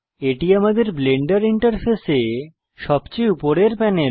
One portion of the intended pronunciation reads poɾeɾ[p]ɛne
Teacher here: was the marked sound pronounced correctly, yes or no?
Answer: yes